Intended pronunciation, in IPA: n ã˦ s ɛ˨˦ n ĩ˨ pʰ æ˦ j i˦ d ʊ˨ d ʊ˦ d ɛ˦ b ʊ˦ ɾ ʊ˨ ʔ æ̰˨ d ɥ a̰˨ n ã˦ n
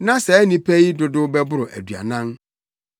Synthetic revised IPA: n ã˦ s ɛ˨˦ n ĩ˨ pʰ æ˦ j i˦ d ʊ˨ d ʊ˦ b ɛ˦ b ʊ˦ ɾ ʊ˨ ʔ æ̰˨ d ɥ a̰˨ n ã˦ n